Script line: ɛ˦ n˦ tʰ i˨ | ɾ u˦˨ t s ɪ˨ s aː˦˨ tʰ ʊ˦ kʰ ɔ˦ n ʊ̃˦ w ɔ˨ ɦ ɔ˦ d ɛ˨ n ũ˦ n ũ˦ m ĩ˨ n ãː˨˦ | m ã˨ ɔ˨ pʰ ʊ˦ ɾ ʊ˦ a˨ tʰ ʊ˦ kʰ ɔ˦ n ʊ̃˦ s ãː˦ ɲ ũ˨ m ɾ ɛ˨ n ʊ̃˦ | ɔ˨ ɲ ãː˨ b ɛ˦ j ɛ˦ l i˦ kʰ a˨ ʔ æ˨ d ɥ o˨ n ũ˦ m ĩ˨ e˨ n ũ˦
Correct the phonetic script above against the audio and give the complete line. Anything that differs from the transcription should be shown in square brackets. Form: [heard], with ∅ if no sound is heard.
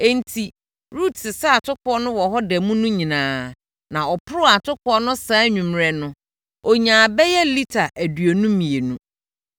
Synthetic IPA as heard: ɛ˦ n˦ tʰ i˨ | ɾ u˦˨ t s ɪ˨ s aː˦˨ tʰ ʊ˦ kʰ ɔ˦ n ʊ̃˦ w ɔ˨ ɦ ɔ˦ d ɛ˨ [m] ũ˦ n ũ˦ [ɲ] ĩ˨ n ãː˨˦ | [n] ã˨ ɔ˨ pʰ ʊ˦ ɾ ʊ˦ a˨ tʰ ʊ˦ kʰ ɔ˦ n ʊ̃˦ s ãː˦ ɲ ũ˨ m ɾ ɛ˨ n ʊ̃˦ | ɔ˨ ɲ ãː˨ b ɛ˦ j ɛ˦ l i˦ [tʰ] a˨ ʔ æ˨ d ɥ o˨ n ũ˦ m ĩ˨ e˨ n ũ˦